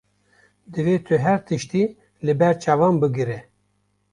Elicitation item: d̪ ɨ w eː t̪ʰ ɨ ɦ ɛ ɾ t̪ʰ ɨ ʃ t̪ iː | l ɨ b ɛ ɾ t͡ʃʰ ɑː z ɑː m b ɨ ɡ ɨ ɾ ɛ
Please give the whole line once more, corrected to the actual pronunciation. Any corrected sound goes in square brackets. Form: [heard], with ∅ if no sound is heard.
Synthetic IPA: d̪ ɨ [v] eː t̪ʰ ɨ ɦ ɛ ɾ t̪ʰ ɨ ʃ t̪ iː | l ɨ b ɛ ɾ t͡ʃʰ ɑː [v] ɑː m b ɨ ɡ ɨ ɾ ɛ

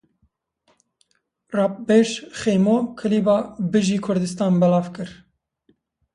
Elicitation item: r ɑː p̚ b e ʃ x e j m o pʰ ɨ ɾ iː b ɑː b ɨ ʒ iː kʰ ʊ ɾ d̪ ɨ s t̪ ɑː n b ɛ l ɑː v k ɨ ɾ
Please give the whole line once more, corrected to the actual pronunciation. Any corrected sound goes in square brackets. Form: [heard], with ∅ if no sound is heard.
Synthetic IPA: r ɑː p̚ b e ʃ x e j m o [kʰ] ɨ [l] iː b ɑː b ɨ ʒ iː kʰ ʊ ɾ d̪ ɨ s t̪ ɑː n b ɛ l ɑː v k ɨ ɾ

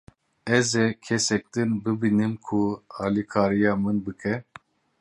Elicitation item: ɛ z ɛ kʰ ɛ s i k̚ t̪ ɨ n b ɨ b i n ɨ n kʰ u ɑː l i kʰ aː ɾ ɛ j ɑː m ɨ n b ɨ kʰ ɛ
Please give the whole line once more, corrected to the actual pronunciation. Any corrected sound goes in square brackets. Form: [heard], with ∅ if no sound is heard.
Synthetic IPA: ɛ z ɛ kʰ ɛ s [ɛ] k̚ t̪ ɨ n b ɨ b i n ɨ [m] kʰ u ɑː l i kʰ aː ɾ [i] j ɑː m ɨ n b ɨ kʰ ɛ

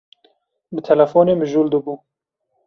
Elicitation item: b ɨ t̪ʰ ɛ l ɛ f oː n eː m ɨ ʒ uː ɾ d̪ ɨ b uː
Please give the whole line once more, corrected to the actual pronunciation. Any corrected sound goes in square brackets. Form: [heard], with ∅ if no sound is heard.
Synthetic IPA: b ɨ t̪ʰ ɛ l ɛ f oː n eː m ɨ ʒ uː [l] d̪ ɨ b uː

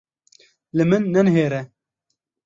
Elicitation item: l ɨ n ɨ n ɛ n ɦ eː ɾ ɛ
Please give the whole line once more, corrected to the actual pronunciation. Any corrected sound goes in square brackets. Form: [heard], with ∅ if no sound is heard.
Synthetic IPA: l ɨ [m] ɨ [nː] ɛ n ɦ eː ɾ ɛ

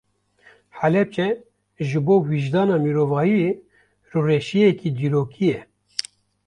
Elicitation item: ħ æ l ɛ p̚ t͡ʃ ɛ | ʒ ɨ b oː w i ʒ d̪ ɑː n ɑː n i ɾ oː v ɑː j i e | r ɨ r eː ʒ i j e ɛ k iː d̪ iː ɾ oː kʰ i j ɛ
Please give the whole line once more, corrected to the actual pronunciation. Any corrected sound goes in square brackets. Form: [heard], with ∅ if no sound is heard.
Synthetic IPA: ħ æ l ɛ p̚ t͡ʃ ɛ | ʒ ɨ b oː w i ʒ d̪ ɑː n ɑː [m] i ɾ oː v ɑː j i e | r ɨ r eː [ʃ] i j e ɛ k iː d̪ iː ɾ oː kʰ i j ɛ

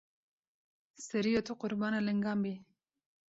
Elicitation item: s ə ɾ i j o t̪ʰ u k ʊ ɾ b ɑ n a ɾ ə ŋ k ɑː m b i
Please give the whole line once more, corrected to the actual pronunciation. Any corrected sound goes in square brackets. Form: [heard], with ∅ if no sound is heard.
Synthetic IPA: s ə ɾ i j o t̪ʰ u [q] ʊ ɾ b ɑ n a [l] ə ŋ [ɡ] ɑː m b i

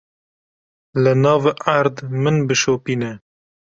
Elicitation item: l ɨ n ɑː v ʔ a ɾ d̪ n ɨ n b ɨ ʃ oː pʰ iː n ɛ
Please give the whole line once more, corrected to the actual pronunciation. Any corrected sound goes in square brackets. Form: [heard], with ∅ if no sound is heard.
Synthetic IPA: l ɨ n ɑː v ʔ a ɾ d̪ [m] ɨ n b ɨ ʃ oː [p] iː n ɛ

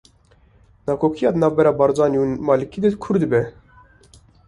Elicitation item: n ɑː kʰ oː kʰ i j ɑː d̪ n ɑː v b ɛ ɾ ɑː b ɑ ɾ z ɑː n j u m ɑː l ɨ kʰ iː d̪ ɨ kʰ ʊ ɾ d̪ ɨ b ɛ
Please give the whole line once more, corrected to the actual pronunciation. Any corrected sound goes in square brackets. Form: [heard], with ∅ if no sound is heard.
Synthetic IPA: n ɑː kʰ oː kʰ i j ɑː d̪ n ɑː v b ɛ ɾ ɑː b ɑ ɾ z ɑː n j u m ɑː l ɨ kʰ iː d̪ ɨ kʰ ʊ ɾ d̪ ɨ b ɛ

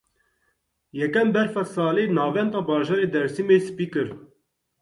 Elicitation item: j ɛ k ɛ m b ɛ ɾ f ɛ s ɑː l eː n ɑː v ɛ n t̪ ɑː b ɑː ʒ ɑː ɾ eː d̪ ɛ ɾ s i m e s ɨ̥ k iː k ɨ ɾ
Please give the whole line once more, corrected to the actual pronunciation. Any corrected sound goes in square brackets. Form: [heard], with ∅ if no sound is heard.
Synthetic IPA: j ɛ k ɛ m b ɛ ɾ f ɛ s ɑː l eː n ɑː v ɛ n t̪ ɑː b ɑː ʒ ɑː ɾ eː d̪ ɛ ɾ s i m e s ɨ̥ [p] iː k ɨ ɾ

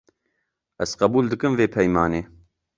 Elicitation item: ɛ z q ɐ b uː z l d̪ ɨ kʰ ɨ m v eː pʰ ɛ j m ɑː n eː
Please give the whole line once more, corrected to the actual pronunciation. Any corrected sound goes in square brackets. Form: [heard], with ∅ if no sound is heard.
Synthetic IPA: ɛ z q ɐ b uː [∅] l d̪ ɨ [k] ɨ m v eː pʰ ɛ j m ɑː n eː

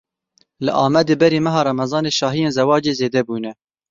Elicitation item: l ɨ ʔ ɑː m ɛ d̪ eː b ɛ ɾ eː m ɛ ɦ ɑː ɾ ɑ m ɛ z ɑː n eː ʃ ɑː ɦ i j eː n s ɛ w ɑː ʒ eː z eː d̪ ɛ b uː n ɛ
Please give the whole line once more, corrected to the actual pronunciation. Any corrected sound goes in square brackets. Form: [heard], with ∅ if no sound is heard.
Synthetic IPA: l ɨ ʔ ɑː m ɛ d̪ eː b ɛ ɾ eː m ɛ ɦ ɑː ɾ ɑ m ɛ z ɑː n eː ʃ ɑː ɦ i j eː n [z] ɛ w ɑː [d͡ʒ] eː z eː d̪ ɛ b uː n ɛ

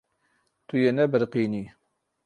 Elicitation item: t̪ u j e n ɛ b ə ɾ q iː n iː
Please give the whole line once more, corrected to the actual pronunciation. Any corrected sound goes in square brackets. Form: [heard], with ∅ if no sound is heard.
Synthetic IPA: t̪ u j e n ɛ b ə ɾ q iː n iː

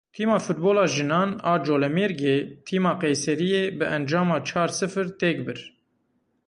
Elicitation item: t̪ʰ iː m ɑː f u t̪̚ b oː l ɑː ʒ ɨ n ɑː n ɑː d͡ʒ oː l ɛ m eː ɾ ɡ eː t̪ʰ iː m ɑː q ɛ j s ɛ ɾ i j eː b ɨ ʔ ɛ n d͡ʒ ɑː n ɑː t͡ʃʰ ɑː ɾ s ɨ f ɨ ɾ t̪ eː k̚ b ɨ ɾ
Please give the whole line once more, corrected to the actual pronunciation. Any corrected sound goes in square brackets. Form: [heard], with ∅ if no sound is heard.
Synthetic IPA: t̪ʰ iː m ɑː f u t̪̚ b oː l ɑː ʒ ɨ n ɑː n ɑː d͡ʒ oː l ɛ m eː ɾ ɡ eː t̪ʰ iː m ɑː q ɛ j s ɛ ɾ i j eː b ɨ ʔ ɛ n d͡ʒ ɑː [m] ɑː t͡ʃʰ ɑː ɾ s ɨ f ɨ ɾ t̪ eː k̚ b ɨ ɾ

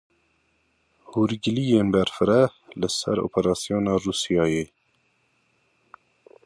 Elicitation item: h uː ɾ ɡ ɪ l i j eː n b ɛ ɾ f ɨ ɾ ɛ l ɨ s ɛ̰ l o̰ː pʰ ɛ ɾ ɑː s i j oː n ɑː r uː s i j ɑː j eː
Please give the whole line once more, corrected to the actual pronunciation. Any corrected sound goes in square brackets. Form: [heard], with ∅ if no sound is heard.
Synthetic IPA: h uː ɾ ɡ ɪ l i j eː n b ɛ ɾ f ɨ ɾ ɛ l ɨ s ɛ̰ [ɾ] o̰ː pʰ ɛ ɾ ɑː s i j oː n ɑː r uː s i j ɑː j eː

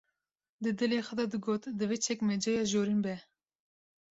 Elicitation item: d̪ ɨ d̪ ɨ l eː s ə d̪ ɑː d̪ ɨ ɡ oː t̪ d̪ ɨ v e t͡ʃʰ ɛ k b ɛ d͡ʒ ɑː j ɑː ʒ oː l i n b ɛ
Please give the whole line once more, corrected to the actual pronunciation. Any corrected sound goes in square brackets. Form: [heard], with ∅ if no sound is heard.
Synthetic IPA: d̪ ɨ d̪ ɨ l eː [x] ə d̪ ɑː d̪ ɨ ɡ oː t̪ d̪ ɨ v e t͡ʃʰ ɛ k [m] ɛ d͡ʒ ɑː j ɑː ʒ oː [ɾ] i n b ɛ

